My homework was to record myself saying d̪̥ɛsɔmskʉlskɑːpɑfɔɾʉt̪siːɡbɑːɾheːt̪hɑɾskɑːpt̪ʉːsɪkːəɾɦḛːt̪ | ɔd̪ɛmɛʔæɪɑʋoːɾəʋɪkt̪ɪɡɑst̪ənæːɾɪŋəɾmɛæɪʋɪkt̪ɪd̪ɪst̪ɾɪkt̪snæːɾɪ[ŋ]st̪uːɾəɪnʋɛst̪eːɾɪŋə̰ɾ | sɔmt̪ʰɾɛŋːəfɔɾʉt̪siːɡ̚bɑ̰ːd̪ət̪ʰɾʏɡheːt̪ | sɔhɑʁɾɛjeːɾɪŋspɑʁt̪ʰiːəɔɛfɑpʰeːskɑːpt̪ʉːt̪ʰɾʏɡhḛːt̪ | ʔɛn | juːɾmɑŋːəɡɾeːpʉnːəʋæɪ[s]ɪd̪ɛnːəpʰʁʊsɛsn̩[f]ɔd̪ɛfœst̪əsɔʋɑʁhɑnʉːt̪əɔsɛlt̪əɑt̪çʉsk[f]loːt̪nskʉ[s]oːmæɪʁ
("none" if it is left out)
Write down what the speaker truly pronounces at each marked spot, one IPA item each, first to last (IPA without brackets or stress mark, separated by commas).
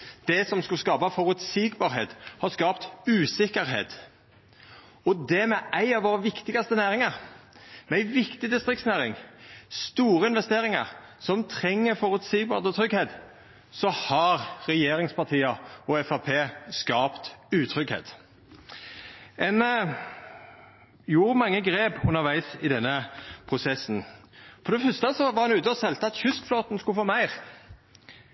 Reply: ŋ, s, f, f, f